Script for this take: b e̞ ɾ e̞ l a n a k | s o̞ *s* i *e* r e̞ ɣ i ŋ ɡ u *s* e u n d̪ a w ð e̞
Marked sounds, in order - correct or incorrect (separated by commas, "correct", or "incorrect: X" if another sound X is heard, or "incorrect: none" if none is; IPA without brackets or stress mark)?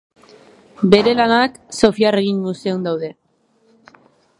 incorrect: f, incorrect: a, correct